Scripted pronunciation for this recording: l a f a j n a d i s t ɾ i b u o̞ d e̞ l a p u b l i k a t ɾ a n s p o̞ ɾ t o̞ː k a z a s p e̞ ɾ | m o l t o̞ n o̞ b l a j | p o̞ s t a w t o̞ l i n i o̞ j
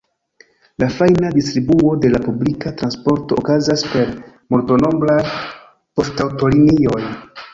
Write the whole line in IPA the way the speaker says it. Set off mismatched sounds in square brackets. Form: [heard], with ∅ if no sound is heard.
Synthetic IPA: l a f a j n a d i s t ɾ i b u o̞ d e̞ l a p u b l i k a t ɾ a n s p o̞ ɾ t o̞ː k a z a s p e̞ ɾ | m o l t o̞ n o̞ b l a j | p o̞ s t a w t o̞ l i n i o̞ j